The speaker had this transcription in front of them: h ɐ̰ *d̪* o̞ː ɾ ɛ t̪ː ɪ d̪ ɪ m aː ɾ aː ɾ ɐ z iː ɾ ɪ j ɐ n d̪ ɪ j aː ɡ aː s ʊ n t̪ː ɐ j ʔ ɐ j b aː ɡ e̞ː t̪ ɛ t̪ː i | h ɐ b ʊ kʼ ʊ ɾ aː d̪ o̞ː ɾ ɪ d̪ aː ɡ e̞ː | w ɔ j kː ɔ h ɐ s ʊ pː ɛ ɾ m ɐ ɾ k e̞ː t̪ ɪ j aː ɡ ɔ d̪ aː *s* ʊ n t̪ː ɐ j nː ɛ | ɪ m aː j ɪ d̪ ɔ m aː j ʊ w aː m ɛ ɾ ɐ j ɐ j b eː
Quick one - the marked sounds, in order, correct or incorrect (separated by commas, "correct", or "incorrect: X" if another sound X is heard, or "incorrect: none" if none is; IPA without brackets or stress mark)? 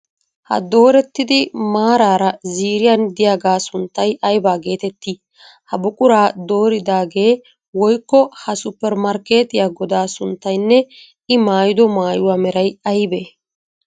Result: correct, correct